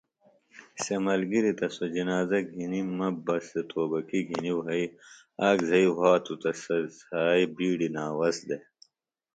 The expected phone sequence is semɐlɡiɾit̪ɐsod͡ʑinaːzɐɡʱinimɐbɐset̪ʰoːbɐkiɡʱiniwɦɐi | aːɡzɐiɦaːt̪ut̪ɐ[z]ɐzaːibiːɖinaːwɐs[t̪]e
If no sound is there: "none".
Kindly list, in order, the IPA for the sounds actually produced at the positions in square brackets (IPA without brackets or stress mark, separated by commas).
s, d̪